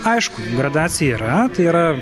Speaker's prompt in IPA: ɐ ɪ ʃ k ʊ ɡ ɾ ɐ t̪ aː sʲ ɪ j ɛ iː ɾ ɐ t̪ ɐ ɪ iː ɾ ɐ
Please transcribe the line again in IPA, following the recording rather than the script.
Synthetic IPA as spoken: ɐ ɪ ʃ k ʊ ɡ ɾ ɐ d̪ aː sʲ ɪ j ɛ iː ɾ ɐ t̪ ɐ ɪ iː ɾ ɐ